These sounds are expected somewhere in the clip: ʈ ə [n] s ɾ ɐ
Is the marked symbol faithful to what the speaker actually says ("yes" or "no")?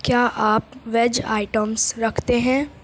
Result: no